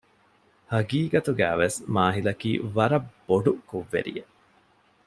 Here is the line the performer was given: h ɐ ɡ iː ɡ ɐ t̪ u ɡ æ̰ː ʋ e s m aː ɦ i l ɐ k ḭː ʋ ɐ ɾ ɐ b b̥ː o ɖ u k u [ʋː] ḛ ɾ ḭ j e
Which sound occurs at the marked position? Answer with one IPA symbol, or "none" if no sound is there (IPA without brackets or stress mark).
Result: ʋː